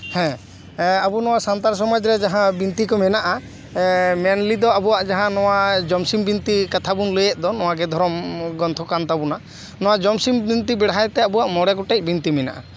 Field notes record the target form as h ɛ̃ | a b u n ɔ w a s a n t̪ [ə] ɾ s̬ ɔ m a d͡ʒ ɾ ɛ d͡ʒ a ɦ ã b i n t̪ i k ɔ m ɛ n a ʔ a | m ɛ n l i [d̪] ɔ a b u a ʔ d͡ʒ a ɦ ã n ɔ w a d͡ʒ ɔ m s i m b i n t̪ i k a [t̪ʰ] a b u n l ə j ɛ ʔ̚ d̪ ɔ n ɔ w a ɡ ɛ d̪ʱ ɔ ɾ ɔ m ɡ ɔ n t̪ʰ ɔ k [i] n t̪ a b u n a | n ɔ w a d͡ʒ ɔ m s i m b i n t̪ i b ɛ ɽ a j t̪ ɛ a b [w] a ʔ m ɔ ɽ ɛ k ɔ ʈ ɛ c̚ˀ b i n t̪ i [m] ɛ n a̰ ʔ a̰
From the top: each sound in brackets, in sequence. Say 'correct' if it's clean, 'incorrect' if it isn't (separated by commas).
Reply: incorrect, correct, correct, incorrect, incorrect, correct